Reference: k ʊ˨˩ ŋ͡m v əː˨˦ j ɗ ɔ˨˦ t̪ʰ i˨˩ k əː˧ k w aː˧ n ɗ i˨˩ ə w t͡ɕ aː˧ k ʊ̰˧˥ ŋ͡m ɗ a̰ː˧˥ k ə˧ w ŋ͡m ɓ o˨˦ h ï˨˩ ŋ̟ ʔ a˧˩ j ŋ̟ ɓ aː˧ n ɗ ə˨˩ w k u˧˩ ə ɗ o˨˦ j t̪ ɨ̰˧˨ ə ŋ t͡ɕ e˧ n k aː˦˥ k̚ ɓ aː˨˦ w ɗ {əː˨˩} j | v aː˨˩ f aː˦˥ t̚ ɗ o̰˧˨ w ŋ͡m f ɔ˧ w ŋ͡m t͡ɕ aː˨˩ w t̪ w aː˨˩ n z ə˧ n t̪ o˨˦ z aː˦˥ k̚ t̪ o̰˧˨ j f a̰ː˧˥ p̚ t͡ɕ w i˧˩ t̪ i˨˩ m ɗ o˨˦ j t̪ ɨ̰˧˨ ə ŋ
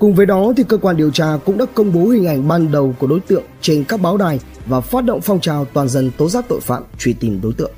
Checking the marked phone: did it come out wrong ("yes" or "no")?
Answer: yes